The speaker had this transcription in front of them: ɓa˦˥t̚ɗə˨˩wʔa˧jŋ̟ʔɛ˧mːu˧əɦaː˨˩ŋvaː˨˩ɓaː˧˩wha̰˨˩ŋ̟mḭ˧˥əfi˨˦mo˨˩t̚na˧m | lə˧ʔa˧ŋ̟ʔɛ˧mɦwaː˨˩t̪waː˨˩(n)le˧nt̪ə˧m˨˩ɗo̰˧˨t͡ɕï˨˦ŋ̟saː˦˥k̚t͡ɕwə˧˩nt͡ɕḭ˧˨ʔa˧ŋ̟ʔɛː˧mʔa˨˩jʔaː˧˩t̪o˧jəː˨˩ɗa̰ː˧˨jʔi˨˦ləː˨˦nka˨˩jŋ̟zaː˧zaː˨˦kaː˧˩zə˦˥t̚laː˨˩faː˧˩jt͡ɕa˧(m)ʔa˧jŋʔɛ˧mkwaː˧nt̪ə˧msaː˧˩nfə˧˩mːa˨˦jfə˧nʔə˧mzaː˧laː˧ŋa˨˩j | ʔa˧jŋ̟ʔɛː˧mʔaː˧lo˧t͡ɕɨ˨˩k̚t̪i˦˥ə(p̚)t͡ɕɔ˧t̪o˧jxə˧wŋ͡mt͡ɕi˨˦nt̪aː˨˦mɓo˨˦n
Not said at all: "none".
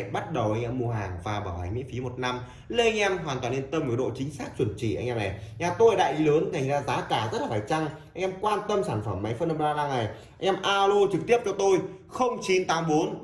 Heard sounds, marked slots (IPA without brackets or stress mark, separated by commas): n, ŋ, p̚